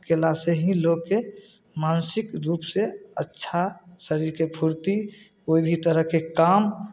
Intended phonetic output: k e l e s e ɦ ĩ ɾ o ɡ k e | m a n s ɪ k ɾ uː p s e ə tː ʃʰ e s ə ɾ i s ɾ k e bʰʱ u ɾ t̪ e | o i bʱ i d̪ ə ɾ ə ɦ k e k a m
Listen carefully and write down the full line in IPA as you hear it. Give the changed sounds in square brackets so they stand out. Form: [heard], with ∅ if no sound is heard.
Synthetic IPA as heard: k e l [a] s e ɦ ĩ [l] o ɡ k e | m a n s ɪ k ɾ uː p s e ə tː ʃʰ [a] s ə ɾ i [∅] ɾ k e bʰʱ u ɾ t̪ [i] | o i bʱ i [t̪] ə ɾ ə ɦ k e k a m